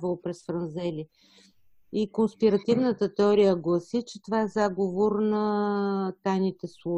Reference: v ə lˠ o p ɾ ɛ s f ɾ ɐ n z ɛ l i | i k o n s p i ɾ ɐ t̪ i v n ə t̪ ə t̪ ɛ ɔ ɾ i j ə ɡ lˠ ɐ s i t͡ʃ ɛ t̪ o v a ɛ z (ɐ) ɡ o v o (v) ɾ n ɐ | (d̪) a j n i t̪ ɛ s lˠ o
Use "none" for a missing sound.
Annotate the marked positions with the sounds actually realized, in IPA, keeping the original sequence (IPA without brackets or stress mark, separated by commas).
a, none, t̪